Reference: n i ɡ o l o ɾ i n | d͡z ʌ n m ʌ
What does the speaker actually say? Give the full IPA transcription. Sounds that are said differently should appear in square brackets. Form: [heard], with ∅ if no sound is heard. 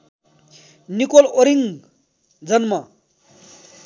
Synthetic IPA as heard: n i [k] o l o ɾ i [ŋ] | d͡z ʌ n m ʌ